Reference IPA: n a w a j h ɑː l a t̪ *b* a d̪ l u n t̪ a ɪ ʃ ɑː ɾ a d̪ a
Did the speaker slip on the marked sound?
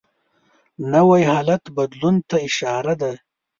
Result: no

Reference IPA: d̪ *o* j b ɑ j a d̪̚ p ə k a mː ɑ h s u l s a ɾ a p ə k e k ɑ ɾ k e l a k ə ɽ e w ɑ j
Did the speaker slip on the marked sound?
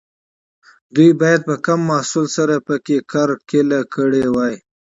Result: yes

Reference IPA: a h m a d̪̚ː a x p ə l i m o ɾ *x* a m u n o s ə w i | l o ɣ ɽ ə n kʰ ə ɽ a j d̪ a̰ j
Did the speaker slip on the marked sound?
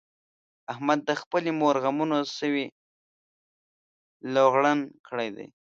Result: yes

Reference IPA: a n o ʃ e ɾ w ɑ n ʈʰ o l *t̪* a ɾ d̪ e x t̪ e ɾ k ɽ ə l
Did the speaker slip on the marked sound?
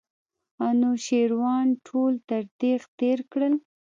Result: no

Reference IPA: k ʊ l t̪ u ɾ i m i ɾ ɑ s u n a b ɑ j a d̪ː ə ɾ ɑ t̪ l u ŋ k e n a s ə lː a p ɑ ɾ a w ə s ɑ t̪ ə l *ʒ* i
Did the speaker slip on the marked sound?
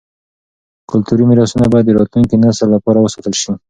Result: yes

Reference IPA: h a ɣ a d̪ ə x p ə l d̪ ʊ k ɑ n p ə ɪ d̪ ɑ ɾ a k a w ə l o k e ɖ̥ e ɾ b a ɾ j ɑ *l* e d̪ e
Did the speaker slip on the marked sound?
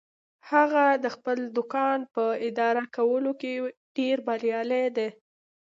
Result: no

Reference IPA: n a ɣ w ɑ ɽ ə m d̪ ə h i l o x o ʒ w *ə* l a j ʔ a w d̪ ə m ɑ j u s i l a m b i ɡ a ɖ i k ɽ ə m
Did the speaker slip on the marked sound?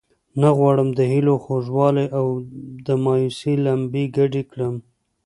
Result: yes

